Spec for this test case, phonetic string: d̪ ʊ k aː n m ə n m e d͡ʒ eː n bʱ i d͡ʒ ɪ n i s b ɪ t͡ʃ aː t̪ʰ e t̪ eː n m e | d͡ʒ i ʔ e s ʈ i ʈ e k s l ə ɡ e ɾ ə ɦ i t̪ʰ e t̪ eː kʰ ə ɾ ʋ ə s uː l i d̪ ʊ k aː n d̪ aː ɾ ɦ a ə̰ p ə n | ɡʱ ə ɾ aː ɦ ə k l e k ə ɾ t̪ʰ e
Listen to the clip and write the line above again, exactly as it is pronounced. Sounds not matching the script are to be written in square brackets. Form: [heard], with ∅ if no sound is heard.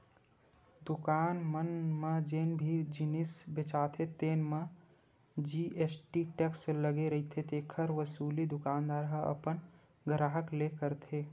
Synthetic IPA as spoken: d̪ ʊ k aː n m ə n m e d͡ʒ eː n bʱ i d͡ʒ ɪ n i s b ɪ t͡ʃ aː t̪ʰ e t̪ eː n m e | d͡ʒ i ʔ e s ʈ i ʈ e k s l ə ɡ e ɾ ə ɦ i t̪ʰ e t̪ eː kʰ ə ɾ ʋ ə s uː l i d̪ ʊ k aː n d̪ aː ɾ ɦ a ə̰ p ə n | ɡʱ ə ɾ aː ɦ ə k l e k ə ɾ t̪ʰ e